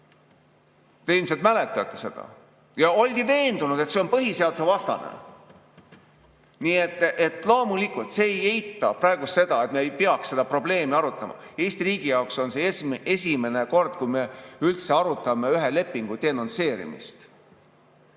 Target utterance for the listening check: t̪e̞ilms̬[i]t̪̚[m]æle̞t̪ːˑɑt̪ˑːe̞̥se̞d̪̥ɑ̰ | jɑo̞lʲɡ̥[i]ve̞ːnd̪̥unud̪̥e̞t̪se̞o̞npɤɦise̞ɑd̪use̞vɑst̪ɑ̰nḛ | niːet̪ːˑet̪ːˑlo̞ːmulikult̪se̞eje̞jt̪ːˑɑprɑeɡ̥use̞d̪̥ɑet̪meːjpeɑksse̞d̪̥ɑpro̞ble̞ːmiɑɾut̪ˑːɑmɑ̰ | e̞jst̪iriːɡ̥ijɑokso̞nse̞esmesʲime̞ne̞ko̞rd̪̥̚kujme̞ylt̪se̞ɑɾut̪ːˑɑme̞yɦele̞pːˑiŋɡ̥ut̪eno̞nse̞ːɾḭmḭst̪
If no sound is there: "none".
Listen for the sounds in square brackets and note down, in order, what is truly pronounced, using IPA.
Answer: e, m, i

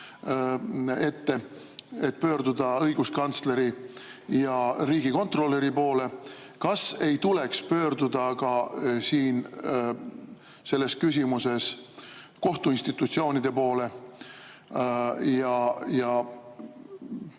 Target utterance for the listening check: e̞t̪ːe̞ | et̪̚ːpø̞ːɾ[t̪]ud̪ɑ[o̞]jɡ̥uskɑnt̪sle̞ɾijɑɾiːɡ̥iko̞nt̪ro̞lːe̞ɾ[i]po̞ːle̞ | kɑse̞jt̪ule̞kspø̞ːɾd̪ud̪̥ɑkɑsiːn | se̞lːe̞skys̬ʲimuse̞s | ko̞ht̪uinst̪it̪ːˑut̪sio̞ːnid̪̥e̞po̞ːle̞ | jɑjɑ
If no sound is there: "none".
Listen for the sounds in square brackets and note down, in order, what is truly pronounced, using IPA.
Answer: d̪, ɤ̞, i

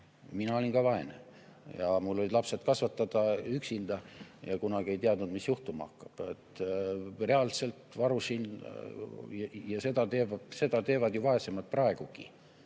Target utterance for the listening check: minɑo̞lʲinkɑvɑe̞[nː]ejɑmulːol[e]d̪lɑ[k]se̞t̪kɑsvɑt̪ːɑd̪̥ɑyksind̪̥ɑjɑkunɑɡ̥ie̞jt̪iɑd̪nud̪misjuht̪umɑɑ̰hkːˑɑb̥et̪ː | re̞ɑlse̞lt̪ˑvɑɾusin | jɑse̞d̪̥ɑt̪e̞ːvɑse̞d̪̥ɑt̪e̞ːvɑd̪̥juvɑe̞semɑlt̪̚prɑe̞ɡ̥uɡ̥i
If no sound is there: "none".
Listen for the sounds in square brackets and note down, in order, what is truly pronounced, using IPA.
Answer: n, i, p

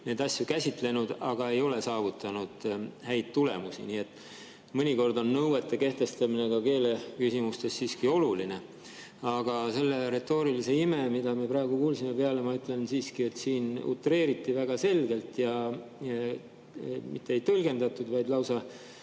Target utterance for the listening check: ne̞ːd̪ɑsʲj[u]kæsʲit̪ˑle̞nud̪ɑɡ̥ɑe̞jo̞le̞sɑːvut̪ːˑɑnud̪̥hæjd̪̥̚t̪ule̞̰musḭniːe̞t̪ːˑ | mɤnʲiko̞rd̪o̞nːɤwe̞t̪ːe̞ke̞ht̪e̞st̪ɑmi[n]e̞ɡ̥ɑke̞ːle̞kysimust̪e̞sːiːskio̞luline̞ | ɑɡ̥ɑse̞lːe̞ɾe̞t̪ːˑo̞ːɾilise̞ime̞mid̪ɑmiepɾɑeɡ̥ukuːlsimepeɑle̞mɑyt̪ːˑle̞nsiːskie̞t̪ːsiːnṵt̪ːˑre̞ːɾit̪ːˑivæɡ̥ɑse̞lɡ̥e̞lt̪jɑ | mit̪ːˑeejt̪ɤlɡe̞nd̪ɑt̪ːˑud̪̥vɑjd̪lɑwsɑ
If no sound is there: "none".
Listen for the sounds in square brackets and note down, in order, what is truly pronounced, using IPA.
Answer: u, n

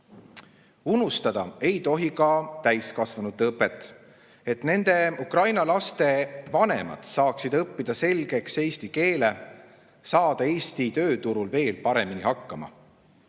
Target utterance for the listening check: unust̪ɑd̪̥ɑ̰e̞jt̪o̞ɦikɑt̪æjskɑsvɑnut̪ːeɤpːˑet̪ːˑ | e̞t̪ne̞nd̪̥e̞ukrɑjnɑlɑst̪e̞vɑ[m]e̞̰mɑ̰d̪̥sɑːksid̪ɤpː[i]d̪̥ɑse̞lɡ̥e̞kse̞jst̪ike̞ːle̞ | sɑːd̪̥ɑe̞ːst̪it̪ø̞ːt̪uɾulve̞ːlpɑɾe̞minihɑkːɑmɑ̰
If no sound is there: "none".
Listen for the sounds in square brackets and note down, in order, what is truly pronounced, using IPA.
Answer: n, i

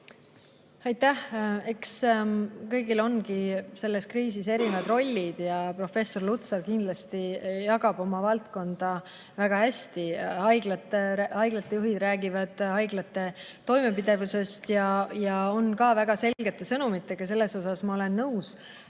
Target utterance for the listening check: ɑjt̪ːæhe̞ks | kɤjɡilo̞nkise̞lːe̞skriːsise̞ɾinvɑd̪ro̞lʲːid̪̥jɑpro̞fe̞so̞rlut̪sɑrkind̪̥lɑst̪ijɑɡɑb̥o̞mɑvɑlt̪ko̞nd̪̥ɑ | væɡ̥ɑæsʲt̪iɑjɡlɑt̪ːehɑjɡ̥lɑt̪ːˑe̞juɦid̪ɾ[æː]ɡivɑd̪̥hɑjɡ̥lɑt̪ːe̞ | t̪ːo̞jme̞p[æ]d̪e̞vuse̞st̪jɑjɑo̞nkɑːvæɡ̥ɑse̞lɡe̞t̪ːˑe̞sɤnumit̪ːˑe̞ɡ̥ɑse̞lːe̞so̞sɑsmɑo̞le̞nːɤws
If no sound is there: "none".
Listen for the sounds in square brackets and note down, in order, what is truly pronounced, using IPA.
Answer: æː, i

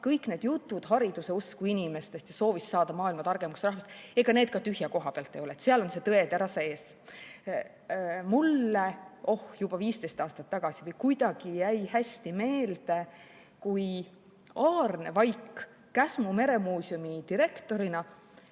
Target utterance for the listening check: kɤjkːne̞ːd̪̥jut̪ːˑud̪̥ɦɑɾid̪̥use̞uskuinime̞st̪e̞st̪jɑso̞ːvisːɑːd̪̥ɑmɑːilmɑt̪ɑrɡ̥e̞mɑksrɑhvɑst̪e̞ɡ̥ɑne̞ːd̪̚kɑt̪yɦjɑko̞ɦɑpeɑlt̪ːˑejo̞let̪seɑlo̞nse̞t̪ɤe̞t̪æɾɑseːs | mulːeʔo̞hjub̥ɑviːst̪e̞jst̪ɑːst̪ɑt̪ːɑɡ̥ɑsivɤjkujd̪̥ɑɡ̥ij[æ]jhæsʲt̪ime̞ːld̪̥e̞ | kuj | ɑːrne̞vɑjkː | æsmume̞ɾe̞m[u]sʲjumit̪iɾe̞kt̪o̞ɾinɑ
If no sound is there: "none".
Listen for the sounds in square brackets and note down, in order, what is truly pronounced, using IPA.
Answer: æ, uː

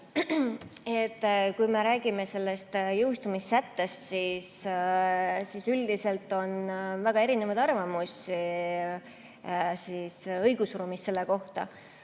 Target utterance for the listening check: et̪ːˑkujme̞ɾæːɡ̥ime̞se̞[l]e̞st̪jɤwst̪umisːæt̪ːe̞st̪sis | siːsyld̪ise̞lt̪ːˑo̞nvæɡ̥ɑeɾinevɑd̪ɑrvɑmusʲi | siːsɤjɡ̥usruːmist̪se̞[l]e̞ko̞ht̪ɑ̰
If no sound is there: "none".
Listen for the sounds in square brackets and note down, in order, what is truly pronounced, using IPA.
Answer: lː, lː

